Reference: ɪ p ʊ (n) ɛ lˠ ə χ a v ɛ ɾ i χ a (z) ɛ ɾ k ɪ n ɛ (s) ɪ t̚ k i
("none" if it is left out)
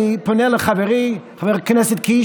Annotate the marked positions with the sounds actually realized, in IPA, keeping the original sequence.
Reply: n, v, s

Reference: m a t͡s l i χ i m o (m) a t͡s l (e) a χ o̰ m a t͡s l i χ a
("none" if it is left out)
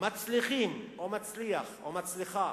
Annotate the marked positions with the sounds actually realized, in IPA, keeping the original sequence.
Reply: m, i

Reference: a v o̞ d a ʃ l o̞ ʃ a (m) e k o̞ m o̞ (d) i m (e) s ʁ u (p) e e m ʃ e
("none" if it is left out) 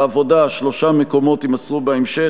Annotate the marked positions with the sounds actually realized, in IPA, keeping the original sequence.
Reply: m, t, a, b

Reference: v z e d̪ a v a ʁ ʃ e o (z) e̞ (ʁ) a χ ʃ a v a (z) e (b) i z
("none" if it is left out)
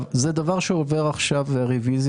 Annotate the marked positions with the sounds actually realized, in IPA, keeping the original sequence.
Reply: v, ʁ, ʁ, v

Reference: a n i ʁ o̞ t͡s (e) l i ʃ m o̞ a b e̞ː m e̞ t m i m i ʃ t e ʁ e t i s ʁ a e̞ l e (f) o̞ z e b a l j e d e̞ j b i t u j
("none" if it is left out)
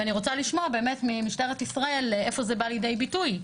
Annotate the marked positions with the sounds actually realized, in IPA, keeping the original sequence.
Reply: a, f

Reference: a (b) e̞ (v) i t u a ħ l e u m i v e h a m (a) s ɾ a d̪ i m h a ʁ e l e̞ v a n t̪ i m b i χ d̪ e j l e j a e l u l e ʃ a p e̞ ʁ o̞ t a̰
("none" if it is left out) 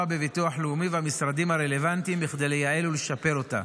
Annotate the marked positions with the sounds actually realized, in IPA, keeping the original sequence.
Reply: b, v, i

